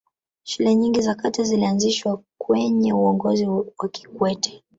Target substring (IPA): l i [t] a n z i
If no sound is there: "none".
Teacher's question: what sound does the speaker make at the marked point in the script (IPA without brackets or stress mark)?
none